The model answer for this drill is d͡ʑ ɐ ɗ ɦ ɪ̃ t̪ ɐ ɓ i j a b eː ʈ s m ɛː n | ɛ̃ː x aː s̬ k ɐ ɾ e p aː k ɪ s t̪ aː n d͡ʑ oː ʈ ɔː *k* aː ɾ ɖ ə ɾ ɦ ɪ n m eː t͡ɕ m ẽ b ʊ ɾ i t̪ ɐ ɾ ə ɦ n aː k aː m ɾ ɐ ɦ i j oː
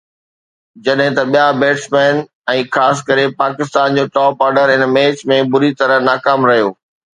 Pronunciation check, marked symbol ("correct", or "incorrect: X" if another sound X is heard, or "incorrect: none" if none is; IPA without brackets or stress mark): incorrect: p